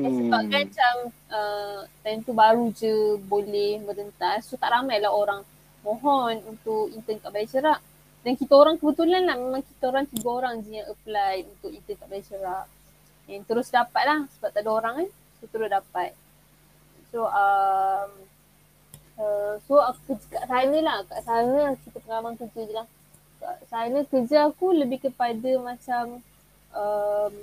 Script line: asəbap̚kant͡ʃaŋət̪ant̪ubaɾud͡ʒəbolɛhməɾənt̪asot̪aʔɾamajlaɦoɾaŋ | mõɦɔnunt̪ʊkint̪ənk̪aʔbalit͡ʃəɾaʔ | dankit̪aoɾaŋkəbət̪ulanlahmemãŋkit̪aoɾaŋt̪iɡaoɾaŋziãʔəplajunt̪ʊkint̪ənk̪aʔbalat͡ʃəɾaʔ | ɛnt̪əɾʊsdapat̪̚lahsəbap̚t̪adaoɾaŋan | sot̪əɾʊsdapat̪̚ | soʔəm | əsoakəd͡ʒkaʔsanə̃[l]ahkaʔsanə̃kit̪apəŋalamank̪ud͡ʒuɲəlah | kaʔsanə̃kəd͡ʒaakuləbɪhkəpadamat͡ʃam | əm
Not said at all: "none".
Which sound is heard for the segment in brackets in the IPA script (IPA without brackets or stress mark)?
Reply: l